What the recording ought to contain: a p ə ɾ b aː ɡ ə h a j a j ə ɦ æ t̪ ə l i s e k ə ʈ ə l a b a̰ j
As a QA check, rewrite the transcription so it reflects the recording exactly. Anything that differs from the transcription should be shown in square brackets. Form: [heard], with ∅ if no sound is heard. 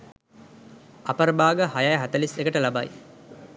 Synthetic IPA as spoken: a p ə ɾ b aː ɡ ə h a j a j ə ɦ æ t̪ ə l i s e k ə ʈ ə l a b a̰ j